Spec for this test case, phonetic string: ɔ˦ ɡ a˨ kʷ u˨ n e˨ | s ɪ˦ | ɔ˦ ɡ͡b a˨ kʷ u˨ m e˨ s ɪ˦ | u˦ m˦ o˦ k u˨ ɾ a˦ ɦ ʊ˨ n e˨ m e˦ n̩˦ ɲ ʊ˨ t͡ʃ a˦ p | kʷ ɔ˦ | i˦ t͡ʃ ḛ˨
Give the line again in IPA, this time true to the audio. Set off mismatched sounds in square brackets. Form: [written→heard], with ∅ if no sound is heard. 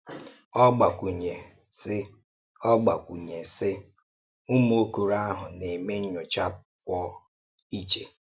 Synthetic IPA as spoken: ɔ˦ [ɡ→ɡ͡b] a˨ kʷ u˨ [n→ɲ] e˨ | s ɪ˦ | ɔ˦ ɡ͡b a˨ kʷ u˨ [m→ɲ] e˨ s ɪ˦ | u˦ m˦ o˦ k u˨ ɾ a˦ ɦ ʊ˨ n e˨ m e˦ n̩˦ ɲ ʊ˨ t͡ʃ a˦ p | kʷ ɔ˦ | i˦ t͡ʃ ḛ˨